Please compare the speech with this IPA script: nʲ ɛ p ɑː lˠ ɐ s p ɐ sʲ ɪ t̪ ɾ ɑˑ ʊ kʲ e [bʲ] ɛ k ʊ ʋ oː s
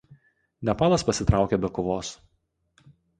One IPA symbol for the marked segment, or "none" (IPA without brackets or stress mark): bʲ